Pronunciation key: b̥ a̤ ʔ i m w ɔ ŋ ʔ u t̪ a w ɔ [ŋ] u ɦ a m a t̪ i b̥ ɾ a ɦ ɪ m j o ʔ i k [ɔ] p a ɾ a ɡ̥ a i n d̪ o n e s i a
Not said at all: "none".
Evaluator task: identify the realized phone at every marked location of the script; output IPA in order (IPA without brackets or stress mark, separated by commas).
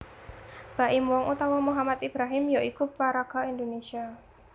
m, u